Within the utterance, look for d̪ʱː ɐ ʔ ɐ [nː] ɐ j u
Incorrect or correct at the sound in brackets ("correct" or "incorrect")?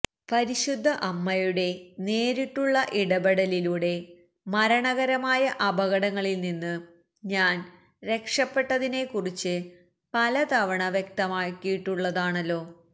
incorrect